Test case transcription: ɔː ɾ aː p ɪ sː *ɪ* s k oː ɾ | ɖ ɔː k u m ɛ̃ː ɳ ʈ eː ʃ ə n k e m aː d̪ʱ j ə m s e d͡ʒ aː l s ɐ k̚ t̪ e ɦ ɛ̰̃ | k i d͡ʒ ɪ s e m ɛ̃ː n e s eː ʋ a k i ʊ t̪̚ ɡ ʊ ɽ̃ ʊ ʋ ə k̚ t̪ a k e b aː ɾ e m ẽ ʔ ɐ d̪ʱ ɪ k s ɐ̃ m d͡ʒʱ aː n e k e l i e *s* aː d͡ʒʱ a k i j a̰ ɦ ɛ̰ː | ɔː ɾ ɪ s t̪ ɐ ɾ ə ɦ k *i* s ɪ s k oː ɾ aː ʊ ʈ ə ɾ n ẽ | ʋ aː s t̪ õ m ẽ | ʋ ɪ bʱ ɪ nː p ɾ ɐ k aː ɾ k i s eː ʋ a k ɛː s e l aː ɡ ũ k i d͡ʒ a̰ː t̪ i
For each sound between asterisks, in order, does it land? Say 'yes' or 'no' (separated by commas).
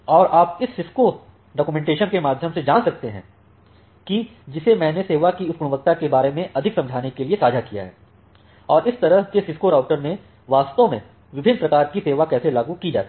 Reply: yes, yes, no